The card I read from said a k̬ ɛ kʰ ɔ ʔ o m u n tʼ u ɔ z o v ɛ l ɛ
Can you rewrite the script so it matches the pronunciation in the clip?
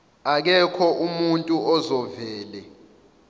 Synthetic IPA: a k̬ ɛ kʰ ɔ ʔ u m u n tʼ u ɔ z ɔ v ɛː l ɛ

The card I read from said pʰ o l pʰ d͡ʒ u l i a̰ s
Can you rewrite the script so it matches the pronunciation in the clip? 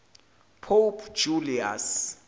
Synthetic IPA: pʰ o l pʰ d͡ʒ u l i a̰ s

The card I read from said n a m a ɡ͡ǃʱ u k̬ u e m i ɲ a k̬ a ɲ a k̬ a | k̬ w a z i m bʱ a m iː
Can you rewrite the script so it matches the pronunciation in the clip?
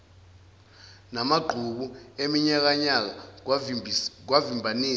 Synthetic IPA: n a m a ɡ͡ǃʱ u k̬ u e m i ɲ a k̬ a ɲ a k̬ a | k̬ w a v i m bʱ a n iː

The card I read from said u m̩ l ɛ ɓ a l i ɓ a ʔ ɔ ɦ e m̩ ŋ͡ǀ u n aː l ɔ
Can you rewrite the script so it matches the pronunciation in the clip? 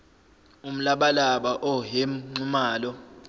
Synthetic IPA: u m̩ l a ɓ a l a ɓ a ʔ ɔ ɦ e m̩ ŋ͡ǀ u m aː l ɔ

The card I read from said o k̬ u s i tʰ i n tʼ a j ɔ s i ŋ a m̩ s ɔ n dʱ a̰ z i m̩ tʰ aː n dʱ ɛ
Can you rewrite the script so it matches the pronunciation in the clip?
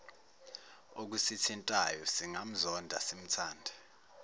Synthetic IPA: o k̬ u s i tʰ i n tʼ a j ɔ s i ŋ a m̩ z ɔ n dʱ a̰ s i m̩ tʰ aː n dʱ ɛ

